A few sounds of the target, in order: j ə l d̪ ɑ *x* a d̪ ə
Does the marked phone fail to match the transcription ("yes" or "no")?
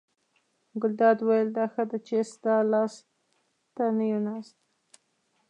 no